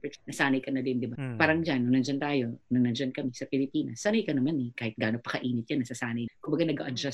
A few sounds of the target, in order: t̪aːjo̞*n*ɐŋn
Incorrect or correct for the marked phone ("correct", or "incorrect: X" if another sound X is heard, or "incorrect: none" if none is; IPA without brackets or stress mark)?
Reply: correct